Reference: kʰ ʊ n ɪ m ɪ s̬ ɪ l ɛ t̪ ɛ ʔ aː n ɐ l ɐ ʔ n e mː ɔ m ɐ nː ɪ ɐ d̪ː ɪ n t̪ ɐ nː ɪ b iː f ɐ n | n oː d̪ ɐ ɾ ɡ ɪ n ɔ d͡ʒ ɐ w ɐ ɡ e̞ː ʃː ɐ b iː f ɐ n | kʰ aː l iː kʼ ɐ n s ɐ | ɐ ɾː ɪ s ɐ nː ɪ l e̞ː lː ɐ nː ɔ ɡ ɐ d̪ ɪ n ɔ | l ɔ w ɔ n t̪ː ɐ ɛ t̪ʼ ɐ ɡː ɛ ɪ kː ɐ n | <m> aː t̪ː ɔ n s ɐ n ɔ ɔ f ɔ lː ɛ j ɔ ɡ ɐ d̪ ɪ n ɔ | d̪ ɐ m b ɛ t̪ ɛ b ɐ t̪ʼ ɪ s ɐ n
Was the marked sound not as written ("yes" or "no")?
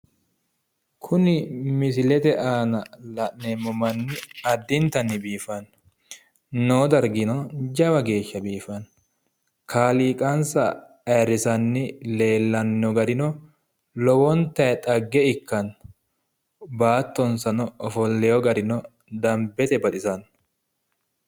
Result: yes